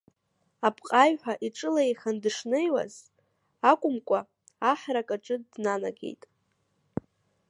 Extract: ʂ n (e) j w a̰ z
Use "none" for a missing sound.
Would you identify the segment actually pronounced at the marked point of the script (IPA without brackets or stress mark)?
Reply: e